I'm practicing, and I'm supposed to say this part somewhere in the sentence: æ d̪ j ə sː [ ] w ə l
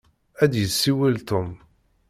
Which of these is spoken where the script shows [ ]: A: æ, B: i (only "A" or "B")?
B